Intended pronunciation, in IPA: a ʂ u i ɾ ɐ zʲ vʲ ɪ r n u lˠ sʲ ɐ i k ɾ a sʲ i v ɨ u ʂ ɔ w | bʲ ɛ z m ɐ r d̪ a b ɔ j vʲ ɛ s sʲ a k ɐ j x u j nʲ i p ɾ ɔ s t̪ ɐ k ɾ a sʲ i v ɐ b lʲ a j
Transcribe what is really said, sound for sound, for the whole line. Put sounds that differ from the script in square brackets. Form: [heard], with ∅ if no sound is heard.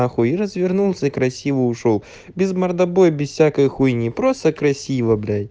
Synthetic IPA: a [x] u i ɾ ɐ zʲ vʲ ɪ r n u lˠ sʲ ɐ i k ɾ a sʲ i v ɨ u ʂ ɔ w | bʲ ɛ z m ɐ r d̪ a b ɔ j [bʲ] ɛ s sʲ a k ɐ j x u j nʲ i p ɾ ɔ s t̪ ɐ k ɾ a sʲ i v ɐ b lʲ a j